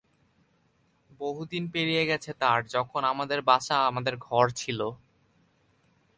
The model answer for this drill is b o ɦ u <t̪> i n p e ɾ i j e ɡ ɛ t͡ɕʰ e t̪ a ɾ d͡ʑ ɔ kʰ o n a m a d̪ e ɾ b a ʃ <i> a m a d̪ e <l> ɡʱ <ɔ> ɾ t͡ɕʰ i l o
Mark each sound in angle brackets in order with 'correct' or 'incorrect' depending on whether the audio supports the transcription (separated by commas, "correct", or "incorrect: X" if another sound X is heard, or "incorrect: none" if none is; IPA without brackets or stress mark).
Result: incorrect: d̪, incorrect: a, incorrect: ɾ, correct